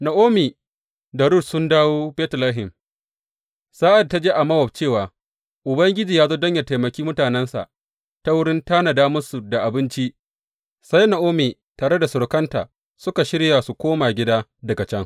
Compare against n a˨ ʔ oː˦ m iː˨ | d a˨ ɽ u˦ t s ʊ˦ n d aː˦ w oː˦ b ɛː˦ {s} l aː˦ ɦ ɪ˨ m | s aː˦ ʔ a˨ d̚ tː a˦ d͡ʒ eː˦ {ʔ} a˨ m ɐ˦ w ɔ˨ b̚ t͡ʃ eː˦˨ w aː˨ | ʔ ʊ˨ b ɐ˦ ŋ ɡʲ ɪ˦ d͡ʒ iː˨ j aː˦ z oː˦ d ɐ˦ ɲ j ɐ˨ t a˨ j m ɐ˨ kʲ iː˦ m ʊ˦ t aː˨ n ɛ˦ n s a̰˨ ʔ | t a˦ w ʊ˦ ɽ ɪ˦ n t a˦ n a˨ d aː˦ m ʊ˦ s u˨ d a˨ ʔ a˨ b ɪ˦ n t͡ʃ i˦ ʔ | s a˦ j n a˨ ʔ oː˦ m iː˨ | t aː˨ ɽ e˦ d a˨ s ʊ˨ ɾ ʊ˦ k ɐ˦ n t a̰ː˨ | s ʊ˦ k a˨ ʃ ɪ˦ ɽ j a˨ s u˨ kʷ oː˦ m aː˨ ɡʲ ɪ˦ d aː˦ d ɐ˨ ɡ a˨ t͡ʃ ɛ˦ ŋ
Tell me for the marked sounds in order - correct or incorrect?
incorrect: t, correct

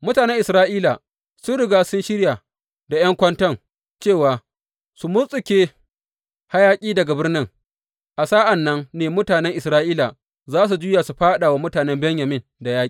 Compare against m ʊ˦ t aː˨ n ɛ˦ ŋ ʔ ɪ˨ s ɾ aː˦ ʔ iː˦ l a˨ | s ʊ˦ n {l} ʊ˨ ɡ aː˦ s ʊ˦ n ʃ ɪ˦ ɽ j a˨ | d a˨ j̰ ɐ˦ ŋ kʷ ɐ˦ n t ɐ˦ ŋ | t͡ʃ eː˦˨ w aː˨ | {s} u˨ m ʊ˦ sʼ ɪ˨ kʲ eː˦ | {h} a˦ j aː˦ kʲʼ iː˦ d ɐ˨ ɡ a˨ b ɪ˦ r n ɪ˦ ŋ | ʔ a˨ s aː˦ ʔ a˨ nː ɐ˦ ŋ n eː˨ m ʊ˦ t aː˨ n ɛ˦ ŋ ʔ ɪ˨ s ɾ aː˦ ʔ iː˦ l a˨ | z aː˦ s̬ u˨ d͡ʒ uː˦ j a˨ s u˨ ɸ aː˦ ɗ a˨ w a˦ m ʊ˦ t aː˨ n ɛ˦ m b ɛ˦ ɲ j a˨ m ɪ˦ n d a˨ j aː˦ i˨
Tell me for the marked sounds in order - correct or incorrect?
incorrect: ɽ, correct, correct

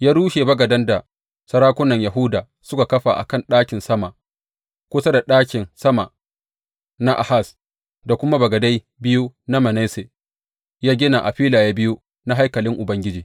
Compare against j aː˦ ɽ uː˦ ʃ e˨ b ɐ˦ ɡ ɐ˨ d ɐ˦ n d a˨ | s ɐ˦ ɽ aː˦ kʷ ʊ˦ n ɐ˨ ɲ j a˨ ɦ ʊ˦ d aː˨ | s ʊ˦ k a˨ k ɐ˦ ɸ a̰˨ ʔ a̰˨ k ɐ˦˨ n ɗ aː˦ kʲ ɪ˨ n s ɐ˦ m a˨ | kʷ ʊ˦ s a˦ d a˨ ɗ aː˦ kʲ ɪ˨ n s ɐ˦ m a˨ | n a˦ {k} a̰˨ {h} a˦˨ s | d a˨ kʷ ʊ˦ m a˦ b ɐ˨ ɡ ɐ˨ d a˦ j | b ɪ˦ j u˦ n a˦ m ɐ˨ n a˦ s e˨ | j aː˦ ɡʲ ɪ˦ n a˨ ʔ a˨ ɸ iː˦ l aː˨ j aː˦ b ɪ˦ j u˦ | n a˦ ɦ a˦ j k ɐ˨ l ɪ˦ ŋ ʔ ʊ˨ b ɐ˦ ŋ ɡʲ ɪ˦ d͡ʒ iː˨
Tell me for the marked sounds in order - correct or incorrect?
incorrect: ʔ, correct

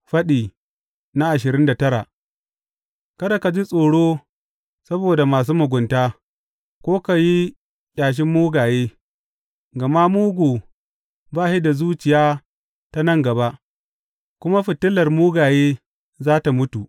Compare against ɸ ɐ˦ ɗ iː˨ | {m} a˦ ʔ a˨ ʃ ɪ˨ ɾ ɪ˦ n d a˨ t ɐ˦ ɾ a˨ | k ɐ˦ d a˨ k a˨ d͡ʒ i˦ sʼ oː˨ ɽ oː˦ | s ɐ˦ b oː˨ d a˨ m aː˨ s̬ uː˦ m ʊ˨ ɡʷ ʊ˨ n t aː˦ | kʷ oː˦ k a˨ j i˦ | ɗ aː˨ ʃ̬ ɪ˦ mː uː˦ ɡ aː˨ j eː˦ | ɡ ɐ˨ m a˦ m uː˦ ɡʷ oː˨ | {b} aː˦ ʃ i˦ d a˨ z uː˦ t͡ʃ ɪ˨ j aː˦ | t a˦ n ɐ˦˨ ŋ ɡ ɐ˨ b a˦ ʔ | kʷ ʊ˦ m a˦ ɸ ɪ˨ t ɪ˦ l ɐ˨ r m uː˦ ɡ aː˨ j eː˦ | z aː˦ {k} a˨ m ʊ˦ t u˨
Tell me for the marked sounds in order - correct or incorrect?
incorrect: n, correct, incorrect: t

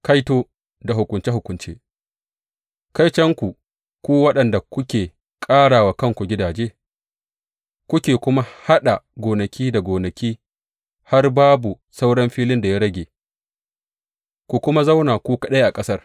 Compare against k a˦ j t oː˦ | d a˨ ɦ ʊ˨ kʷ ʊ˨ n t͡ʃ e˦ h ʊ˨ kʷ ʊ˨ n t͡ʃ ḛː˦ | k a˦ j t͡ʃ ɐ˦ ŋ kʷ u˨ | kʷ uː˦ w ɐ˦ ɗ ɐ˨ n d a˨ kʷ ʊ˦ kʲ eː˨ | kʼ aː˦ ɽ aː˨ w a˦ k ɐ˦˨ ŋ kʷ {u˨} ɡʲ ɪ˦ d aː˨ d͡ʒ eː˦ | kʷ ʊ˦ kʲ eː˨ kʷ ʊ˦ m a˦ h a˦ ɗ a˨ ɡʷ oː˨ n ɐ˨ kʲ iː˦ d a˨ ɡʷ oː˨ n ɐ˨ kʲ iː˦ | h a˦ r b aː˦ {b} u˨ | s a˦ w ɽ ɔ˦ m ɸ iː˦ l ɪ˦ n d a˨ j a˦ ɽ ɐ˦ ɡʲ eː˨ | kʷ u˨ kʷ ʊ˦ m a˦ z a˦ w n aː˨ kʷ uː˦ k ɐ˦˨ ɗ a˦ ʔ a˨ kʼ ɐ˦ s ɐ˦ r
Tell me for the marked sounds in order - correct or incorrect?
correct, correct

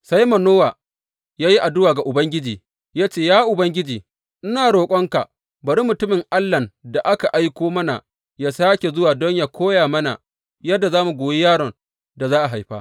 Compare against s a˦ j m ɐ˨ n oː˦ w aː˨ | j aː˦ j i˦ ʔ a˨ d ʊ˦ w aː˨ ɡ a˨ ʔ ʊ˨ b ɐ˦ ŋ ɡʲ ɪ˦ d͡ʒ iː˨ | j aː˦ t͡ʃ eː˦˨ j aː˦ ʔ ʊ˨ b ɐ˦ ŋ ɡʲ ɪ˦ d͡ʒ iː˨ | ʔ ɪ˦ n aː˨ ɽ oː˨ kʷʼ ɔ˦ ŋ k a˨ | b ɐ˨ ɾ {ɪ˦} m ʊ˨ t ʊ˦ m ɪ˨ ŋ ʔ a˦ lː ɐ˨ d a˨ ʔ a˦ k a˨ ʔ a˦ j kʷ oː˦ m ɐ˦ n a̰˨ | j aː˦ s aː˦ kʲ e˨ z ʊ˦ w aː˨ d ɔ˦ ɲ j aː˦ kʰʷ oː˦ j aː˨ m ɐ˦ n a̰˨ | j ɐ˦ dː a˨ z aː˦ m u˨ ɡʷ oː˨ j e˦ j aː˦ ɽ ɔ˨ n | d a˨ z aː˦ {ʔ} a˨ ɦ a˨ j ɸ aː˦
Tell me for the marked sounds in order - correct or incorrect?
incorrect: i˦, correct

